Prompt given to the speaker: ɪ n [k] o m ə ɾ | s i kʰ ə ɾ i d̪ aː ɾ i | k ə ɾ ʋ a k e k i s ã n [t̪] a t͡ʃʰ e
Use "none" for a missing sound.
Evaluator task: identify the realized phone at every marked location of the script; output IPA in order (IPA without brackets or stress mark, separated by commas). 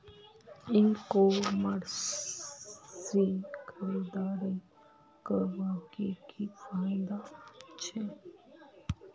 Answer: k, d̪